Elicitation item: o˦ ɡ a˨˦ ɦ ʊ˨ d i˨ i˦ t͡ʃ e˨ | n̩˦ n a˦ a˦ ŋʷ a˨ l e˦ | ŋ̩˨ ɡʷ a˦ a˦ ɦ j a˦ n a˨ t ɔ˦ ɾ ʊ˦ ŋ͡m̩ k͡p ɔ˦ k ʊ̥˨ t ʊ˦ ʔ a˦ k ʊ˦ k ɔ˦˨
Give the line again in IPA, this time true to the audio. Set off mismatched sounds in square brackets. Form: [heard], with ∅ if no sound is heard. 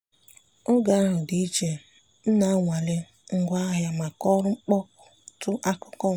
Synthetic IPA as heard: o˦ ɡ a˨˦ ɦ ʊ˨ d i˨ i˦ t͡ʃ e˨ | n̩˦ n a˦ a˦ ŋʷ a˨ l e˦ | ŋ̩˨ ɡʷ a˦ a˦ ɦ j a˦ [m] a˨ [k] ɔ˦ ɾ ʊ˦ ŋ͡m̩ k͡p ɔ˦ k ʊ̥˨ t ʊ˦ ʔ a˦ k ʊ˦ k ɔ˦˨

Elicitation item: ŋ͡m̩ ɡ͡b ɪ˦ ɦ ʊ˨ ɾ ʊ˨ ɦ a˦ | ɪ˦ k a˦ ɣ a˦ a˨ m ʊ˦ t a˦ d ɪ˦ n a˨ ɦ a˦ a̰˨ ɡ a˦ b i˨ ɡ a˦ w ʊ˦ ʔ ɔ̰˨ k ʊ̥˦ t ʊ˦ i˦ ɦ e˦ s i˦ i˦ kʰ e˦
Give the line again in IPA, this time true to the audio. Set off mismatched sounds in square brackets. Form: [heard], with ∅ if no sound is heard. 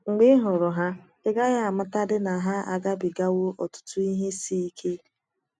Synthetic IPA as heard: ŋ͡m̩ ɡ͡b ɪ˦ ɦ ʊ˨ ɾ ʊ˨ ɦ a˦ | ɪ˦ [ɡ] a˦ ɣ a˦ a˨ m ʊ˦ t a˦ d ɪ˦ n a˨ ɦ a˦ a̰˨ ɡ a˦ b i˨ ɡ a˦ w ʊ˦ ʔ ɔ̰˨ [t] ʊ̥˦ t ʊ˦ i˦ ɦ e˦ s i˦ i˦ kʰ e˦

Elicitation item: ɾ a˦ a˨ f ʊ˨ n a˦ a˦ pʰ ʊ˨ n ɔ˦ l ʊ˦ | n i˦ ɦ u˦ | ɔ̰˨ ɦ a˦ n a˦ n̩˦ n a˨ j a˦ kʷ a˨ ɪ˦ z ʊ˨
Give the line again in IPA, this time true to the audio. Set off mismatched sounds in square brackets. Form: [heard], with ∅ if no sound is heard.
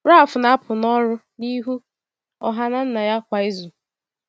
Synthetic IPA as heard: ɾ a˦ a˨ f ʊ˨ n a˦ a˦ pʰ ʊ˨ n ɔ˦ [ɾ] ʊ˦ | n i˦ ɦ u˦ | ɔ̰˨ ɦ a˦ n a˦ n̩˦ n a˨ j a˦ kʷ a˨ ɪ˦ z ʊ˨

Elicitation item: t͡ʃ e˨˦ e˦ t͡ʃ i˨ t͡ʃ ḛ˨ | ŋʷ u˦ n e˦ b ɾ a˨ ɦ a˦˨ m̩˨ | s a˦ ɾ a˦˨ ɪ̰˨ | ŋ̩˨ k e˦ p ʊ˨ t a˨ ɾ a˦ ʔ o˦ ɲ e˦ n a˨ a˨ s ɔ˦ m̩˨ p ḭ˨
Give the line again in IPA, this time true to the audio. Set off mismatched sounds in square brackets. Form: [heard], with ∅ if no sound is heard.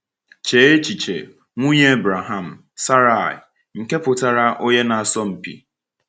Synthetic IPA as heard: t͡ʃ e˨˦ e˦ t͡ʃ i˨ t͡ʃ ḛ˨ | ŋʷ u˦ [ɲ] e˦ b ɾ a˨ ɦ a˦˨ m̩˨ | s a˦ ɾ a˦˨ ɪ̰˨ | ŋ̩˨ k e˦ p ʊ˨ t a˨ ɾ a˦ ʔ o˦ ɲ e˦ n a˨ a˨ s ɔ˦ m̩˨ p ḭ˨

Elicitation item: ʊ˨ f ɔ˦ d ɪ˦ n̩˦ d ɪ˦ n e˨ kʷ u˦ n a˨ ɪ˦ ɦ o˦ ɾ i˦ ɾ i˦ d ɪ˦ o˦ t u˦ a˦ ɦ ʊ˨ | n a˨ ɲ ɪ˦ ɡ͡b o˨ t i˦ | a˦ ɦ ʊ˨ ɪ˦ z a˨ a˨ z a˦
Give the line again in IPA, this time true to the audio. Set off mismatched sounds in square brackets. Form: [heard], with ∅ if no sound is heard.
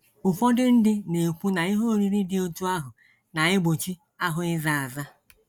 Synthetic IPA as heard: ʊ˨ f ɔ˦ d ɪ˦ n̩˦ d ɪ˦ n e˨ kʷ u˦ n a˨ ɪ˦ ɦ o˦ ɾ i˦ ɾ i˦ d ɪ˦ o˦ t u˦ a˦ ɦ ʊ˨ | n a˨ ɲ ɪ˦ ɡ͡b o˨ [t͡ʃ] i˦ | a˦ ɦ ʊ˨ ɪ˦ z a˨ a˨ z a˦

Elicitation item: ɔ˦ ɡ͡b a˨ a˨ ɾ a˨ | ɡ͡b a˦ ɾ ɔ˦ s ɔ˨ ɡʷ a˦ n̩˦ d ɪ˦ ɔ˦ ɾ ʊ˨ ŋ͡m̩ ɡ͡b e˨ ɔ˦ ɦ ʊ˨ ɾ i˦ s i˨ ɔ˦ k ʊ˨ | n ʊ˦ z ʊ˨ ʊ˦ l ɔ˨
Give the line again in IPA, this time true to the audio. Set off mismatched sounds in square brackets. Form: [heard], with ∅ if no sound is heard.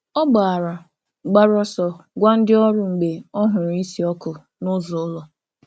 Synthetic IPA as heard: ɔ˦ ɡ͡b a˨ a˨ ɾ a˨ | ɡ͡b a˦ ɾ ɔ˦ s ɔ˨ ɡʷ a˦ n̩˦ d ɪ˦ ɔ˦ ɾ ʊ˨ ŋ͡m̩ ɡ͡b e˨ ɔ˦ ɦ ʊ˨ ɾ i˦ s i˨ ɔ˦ k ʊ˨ | n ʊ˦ z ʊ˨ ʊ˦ l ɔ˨

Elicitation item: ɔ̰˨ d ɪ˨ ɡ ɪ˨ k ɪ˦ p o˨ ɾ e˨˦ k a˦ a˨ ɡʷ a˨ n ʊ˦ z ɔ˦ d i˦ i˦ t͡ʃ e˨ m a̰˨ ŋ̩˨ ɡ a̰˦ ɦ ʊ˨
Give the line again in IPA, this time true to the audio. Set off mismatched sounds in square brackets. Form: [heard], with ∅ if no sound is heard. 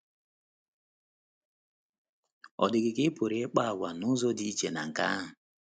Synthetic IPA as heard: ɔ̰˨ d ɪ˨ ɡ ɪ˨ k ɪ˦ p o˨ ɾ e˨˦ [k͡p] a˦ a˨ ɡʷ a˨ n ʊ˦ z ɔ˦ d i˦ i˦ t͡ʃ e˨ [n] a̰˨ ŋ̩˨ [k] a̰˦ ɦ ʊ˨

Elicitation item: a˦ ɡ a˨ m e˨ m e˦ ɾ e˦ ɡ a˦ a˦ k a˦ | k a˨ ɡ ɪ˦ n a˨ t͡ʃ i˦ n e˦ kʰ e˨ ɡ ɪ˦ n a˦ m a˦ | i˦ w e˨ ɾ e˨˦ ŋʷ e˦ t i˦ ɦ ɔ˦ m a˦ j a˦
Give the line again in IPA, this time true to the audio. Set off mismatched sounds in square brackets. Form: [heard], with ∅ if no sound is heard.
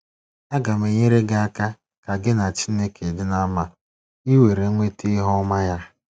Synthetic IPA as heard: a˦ ɡ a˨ m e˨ [ɲ] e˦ ɾ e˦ ɡ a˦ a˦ k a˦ | k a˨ ɡ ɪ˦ n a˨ t͡ʃ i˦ n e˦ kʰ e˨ [d] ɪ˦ n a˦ m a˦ | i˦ w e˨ ɾ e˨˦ ŋʷ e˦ t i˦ ɦ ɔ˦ m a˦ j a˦

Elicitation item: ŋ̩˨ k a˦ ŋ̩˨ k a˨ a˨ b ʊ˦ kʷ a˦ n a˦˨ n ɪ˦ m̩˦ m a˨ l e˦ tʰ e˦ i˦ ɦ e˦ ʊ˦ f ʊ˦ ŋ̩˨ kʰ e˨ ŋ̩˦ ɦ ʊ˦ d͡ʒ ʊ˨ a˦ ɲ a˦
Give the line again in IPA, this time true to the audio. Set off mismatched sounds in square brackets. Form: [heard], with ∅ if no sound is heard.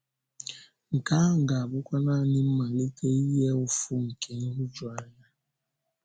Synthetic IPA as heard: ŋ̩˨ k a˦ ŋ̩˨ [ɡ] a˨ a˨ b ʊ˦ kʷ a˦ n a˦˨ n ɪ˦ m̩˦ m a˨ l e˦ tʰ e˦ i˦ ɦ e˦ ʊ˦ f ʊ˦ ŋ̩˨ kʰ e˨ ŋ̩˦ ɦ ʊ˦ d͡ʒ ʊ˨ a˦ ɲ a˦

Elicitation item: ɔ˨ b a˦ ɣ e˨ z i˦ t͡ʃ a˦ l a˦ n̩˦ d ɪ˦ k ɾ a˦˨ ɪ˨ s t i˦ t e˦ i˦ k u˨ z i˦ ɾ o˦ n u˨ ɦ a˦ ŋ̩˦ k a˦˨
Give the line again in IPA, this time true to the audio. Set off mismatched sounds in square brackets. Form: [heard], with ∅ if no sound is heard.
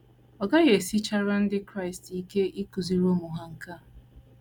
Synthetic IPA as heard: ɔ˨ [ɡ] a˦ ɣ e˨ [s] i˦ t͡ʃ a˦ [ɾ] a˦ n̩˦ d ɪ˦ k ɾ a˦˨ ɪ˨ s t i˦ [k] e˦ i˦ k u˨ z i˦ ɾ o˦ [m] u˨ ɦ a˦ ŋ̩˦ k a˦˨

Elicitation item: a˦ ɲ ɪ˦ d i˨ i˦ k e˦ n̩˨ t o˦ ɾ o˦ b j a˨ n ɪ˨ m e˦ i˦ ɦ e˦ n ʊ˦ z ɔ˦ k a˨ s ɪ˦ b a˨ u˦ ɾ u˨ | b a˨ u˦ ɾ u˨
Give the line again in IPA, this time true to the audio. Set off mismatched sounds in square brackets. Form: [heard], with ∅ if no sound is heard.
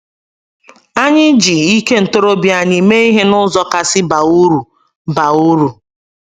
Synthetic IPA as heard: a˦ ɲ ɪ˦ [d͡ʒ] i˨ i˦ k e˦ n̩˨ t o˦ ɾ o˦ b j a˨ [ɲ] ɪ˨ m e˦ i˦ ɦ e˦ n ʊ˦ z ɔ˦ k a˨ s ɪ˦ b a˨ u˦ ɾ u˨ | b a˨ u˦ ɾ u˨

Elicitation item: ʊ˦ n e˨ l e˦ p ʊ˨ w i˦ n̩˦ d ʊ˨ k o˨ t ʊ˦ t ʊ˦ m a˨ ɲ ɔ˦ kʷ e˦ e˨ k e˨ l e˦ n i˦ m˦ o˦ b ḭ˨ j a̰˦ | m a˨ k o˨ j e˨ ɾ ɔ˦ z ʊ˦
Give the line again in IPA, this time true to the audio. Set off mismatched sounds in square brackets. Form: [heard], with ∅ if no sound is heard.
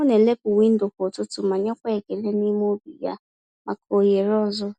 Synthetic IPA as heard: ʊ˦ n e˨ l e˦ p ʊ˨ w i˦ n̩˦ d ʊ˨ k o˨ t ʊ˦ t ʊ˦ m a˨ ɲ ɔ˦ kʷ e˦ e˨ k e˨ l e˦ n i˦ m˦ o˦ b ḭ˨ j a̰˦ | m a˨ k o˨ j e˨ ɾ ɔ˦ z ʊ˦

